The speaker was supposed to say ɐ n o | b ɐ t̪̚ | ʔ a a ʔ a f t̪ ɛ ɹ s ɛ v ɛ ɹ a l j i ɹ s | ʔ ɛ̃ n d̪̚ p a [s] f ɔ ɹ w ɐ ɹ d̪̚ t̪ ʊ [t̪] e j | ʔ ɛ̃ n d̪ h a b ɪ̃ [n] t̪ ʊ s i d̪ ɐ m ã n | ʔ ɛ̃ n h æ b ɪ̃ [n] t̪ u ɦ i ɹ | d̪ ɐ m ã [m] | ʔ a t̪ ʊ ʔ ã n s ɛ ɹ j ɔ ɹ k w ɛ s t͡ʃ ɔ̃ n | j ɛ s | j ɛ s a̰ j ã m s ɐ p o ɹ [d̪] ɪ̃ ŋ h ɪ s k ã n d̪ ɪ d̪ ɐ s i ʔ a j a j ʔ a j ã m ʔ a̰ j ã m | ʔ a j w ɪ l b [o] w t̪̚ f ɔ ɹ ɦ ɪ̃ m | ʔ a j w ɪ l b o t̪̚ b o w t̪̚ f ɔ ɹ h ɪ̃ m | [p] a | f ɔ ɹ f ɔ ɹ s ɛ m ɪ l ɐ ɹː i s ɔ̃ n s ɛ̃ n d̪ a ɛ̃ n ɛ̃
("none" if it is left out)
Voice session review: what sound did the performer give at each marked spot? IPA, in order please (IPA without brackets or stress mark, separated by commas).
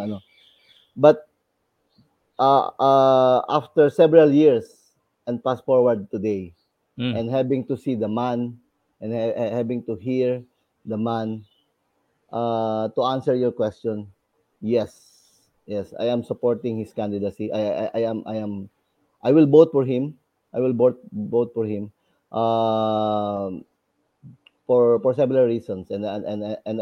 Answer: s, d̪, ŋ, ŋ, n, t̪, o, ʔ